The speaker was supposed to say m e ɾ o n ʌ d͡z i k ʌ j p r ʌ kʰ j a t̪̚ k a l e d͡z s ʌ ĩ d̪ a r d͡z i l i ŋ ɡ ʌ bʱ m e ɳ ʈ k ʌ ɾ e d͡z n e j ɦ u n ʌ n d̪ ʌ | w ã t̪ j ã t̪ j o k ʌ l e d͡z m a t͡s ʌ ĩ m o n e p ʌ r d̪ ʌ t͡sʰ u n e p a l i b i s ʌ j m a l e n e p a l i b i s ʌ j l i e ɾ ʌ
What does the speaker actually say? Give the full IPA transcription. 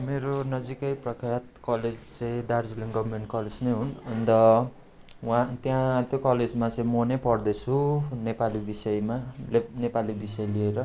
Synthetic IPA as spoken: m e ɾ o n ʌ d͡z i k ʌ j p r ʌ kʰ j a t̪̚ k ʌ l e d͡z t͡s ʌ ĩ d̪ a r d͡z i l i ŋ ɡ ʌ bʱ m e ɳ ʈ k ʌ l e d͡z n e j ɦ u n ʌ n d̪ ʌ | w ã t̪ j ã t̪ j o k ʌ l e d͡z m a t͡s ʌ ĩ m o n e p ʌ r d̪ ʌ t͡sʰ u n e p a l i b i s ʌ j m a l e n e p a l i b i s ʌ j l i e ɾ ʌ